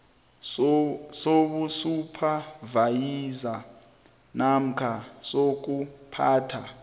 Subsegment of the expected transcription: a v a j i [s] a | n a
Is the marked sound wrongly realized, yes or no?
yes